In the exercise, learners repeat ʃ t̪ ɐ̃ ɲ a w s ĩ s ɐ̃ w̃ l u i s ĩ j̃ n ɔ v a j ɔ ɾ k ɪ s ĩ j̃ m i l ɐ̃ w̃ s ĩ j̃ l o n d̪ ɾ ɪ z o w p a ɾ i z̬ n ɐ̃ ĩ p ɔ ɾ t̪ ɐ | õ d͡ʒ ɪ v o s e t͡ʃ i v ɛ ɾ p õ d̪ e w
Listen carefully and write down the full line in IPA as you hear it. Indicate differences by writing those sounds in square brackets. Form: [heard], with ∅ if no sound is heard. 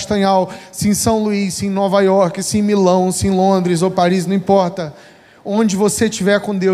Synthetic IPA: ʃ t̪ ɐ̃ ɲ a w s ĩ s ɐ̃ w̃ l u i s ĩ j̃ n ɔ v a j ɔ ɾ k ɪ s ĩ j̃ m i l ɐ̃ w̃ s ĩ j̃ l [õ] n d̪ ɾ ɪ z o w p a ɾ i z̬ n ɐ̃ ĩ p ɔ ɾ t̪ ɐ | õ d͡ʒ ɪ v o s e t͡ʃ i v ɛ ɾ [k] õ d̪ e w